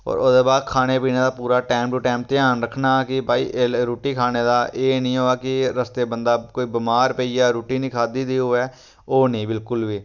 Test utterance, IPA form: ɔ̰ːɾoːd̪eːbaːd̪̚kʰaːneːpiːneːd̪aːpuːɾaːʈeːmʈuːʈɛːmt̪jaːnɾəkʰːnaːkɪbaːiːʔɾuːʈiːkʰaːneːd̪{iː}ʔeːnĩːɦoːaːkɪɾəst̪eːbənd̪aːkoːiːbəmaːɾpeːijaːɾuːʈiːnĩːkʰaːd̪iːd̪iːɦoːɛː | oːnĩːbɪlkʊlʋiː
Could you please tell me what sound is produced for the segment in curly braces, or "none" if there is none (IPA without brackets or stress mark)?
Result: aː